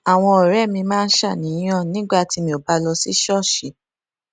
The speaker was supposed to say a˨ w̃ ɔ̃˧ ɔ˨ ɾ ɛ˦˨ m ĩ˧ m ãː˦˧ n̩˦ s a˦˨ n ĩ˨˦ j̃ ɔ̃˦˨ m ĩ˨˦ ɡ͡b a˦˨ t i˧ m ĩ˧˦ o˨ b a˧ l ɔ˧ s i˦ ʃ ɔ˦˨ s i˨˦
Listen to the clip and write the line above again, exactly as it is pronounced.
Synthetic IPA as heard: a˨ w̃ ɔ̃˧ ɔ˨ ɾ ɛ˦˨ m ĩ˧ m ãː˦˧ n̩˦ ʃ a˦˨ n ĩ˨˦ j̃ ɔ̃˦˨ n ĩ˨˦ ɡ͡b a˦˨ t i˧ m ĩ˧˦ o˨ b a˧ l ɔ˧ s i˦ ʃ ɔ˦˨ ʃ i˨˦